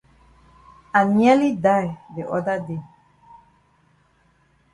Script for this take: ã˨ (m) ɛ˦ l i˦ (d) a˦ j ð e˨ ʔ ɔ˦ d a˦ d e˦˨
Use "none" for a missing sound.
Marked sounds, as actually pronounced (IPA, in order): n, d

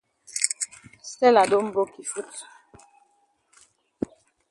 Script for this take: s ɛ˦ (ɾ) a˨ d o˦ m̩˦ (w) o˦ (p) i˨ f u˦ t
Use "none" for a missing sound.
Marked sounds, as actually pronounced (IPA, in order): l, b, k

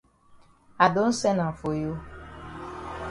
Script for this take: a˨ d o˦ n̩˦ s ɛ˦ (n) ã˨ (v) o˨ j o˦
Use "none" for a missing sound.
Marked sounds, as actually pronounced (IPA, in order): n, f

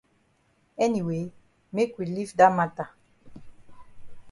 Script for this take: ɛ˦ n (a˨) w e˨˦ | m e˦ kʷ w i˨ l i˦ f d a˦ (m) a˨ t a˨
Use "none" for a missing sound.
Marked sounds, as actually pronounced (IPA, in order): i˨, m

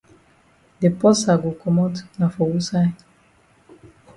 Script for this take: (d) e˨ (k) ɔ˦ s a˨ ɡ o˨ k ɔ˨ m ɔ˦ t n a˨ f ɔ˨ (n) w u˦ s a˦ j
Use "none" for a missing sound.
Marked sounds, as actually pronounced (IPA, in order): d, p, none

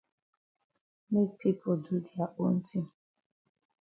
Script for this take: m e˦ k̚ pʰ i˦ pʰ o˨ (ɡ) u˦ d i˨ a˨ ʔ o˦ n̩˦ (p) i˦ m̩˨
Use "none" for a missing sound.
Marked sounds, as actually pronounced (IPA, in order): d, t

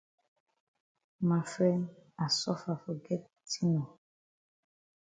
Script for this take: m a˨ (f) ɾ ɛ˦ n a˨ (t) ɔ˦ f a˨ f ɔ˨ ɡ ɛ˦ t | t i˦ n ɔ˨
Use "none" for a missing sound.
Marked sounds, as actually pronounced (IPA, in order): f, s

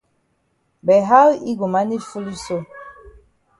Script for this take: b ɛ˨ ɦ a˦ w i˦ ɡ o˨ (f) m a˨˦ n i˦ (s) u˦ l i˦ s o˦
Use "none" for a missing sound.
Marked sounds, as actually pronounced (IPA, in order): none, f

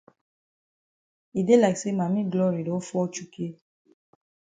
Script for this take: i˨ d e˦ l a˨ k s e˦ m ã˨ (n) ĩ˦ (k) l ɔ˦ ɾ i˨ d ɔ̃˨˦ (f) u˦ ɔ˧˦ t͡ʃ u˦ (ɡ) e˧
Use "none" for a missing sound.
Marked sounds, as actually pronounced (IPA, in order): m, ɡ, f, k

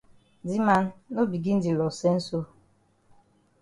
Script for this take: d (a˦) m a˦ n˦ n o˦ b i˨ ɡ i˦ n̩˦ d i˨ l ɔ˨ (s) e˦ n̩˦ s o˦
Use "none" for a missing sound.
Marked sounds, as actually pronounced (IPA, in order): i˦, s

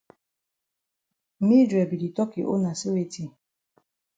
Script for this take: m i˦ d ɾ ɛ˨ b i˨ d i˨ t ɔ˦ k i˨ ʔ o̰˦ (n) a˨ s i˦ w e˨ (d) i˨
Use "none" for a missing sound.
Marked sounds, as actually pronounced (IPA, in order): n, t

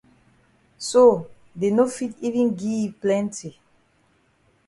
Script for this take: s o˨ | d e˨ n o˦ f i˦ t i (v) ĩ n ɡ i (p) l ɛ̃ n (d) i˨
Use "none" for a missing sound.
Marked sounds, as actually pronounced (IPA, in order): v, p, t

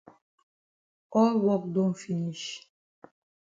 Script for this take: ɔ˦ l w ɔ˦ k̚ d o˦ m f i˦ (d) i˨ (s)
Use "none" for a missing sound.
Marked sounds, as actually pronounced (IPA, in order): n, ʃ

